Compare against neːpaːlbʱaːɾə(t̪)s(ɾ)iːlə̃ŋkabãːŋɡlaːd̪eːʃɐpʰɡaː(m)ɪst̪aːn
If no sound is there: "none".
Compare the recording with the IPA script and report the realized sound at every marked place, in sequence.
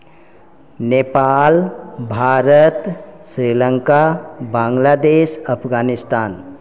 t̪, ɾ, n

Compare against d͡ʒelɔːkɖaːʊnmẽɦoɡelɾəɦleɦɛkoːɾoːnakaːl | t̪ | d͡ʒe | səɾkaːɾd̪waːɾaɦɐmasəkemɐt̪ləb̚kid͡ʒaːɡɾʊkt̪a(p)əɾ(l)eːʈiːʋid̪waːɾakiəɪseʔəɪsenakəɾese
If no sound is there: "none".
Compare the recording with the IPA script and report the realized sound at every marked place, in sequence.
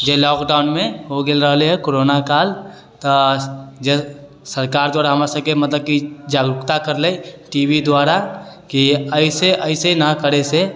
k, l

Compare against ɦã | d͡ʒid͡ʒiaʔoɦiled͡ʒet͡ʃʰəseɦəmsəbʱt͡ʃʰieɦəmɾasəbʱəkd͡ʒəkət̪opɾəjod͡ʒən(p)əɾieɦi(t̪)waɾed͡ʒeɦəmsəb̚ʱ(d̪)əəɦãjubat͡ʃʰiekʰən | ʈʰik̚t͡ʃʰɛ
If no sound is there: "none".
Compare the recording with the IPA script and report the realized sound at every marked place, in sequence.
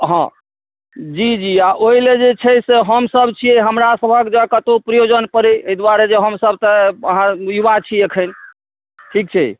p, d̪, t̪

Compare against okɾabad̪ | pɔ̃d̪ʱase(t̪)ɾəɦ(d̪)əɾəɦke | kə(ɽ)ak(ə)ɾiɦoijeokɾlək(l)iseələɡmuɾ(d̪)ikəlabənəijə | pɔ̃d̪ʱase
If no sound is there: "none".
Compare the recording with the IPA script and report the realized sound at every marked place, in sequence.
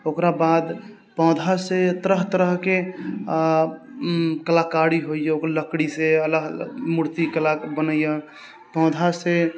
t̪, t̪, l, a, ɽ, t̪

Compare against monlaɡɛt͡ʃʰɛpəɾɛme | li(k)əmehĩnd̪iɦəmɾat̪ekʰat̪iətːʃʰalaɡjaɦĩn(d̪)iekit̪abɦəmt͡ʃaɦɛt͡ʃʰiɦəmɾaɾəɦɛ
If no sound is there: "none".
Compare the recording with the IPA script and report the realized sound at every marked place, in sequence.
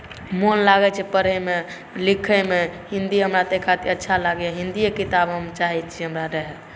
kʰ, d̪

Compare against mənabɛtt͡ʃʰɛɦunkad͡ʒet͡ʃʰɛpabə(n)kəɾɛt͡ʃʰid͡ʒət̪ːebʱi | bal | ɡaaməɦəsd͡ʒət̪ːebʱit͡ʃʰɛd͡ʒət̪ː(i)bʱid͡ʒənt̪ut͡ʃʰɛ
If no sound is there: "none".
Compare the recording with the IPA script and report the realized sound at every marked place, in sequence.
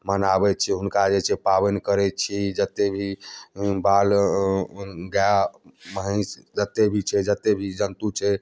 n, e

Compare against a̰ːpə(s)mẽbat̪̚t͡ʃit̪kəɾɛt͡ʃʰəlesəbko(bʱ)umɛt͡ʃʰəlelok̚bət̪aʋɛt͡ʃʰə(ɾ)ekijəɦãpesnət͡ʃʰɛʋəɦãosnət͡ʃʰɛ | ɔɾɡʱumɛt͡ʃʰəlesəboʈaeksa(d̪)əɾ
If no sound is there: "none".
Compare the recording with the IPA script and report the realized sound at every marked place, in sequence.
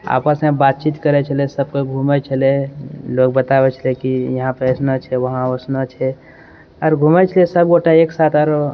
s, ɡʱ, l, t̪

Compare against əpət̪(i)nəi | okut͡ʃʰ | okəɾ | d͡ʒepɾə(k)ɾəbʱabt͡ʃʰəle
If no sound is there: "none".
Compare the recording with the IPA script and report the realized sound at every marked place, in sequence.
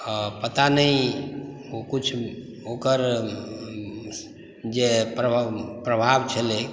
a, p

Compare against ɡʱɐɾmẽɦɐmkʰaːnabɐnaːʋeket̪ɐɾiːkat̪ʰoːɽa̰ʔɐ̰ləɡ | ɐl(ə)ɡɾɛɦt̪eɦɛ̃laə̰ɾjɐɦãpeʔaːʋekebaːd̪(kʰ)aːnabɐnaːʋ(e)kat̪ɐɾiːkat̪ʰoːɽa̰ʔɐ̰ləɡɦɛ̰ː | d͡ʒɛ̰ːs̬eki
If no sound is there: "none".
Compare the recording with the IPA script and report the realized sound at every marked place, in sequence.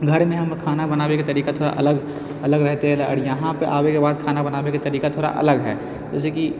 ə, kʰ, e

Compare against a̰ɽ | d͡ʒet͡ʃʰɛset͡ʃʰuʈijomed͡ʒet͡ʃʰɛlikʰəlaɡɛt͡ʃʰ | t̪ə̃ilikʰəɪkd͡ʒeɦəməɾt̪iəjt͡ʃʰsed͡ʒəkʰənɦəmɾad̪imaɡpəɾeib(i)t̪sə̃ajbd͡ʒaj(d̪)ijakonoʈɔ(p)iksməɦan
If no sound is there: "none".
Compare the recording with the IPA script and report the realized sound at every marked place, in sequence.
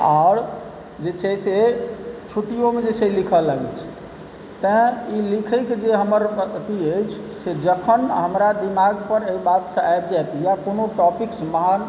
a, t̪, p

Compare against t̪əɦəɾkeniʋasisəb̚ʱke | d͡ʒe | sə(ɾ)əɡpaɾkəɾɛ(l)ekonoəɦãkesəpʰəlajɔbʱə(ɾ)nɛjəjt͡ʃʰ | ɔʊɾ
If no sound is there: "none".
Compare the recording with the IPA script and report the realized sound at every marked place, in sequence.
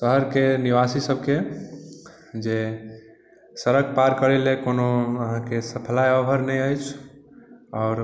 ɾ, l, ɾ

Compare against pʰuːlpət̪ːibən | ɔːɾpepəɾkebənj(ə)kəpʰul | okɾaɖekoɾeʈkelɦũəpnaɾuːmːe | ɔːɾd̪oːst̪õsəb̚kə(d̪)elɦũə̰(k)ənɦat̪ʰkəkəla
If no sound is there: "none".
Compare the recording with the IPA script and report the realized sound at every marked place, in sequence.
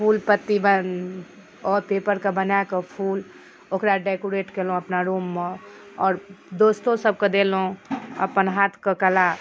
a, d̪, p

